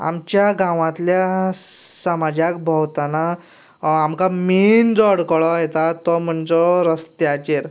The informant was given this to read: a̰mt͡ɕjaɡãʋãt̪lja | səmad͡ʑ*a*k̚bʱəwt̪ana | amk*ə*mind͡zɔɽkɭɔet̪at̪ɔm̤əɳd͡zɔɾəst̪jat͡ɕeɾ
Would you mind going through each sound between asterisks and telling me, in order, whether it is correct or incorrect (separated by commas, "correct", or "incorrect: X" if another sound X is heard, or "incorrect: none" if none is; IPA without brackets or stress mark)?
correct, incorrect: a